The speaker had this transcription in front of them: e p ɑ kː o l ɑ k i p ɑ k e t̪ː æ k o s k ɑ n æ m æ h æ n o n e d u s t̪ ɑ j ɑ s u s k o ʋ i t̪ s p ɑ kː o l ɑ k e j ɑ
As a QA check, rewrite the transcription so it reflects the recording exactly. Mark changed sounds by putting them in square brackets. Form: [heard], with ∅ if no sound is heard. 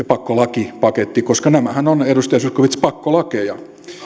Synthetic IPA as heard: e p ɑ kː o l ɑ k i p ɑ k e t̪ː [i] k o s k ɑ n æ m æ h æ n o n e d u s t̪ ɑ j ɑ s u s k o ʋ i t̪ s p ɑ kː o l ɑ k e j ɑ